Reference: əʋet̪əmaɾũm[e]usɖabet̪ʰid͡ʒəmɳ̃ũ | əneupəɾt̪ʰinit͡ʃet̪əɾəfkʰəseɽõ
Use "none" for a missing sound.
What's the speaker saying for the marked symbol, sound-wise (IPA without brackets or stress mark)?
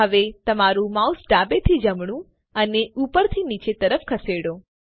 a